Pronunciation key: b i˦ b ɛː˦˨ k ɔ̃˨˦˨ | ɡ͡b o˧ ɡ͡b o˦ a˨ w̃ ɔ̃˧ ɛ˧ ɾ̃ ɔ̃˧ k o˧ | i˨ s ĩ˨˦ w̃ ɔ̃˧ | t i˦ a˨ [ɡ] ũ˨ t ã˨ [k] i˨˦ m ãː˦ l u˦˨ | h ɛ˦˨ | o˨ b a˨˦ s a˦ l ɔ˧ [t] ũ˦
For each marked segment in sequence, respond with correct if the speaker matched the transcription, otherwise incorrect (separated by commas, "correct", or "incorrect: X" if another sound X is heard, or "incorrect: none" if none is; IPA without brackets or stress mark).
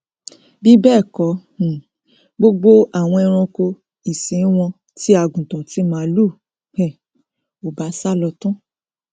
correct, incorrect: t, correct